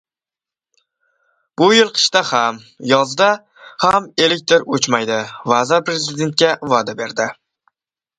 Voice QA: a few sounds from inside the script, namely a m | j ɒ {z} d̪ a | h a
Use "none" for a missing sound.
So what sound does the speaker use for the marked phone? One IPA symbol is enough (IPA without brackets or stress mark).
z